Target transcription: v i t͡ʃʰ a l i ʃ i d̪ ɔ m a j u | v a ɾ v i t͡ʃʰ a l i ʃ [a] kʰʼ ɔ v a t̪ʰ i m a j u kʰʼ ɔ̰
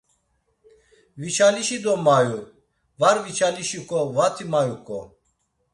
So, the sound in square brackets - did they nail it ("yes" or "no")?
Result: no